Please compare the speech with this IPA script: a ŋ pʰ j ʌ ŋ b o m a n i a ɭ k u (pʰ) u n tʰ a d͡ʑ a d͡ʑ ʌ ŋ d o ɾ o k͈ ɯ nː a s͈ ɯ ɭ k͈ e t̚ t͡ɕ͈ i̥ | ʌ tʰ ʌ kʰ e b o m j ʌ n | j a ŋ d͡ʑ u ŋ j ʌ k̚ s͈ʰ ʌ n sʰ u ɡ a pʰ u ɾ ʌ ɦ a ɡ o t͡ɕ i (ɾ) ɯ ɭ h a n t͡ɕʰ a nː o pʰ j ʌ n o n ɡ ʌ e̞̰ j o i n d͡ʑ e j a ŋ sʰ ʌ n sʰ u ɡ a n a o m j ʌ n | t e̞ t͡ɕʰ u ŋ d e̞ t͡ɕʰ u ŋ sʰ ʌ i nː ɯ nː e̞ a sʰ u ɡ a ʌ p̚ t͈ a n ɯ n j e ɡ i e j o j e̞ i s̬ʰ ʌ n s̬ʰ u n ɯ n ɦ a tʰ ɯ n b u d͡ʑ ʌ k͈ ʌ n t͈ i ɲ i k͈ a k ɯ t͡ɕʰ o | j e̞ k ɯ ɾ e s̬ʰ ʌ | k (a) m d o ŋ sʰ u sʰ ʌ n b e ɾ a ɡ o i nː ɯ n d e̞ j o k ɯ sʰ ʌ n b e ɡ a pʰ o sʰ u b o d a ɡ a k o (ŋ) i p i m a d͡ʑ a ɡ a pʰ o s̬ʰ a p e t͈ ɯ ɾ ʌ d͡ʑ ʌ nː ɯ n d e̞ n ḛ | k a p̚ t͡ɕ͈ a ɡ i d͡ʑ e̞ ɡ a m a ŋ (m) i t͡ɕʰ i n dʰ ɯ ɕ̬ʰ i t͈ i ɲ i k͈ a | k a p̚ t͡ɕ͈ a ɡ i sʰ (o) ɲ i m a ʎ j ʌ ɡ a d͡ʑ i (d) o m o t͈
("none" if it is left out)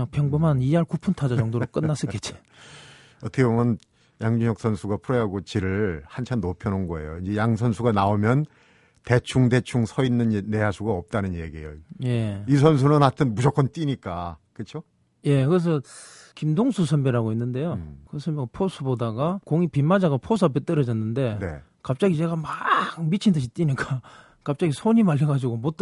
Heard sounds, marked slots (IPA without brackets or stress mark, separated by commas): pʰ, ɾ, i, ŋ, m, o, ɡ